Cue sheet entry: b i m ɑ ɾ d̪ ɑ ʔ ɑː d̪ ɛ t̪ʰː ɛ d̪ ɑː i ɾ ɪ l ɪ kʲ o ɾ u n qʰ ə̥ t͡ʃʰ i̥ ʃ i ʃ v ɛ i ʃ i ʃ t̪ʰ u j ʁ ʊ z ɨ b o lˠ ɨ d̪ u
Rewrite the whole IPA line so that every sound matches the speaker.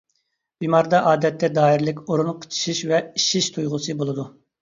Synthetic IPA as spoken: b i m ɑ ɾ d̪ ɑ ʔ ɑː d̪ ɛ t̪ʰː ɛ d̪ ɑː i ɾ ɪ l ɪ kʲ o ɾ u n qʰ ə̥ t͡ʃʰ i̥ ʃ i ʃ v ɛ i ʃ i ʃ t̪ʰ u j ʁ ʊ s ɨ b o lˠ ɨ d̪ u